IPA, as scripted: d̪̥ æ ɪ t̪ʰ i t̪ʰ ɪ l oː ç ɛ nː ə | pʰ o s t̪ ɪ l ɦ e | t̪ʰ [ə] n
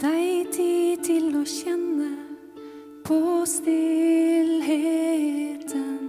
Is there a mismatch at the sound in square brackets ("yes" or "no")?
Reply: no